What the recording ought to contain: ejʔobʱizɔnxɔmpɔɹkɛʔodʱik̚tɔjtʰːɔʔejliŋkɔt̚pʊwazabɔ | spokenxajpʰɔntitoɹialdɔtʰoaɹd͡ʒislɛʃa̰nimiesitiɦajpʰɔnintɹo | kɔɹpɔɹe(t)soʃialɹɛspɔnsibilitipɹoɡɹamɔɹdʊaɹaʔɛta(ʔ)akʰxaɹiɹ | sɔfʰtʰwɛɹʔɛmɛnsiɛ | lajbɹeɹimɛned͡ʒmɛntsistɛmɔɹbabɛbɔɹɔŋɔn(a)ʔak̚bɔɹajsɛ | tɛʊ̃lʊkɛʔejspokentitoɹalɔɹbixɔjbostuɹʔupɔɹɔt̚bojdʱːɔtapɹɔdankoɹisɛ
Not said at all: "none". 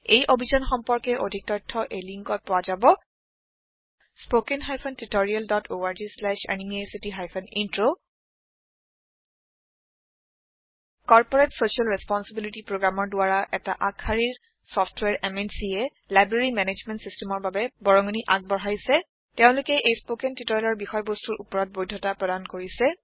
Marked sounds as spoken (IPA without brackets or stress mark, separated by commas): t, ʔ, i